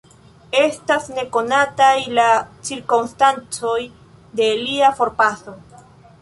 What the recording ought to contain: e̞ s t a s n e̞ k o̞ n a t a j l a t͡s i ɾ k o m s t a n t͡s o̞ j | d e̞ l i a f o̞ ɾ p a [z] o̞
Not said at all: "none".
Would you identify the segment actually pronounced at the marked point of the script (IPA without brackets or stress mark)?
s